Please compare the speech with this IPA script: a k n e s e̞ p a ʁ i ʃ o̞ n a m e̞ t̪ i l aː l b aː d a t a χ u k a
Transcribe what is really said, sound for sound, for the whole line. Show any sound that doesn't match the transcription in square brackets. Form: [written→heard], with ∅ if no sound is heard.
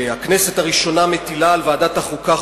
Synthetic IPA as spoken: a k n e s e̞ [p→t] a ʁ i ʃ o̞ n a m e̞ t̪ i l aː l [b→v] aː d a t a χ u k a